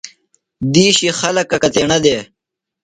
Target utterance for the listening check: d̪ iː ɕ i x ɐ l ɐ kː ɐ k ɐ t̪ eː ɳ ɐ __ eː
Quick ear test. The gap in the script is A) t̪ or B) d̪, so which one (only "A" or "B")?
B